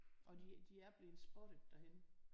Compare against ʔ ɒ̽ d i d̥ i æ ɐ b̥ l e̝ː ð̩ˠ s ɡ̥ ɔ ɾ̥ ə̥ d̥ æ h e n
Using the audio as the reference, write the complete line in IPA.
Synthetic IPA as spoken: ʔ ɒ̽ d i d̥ i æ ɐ b̥ l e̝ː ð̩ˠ s b̥ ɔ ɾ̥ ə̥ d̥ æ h e n